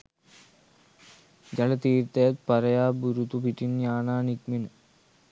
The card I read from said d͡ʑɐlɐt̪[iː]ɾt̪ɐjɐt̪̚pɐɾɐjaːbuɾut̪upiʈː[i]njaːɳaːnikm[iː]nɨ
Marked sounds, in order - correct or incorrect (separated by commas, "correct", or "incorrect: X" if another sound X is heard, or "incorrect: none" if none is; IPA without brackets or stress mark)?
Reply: correct, correct, incorrect: i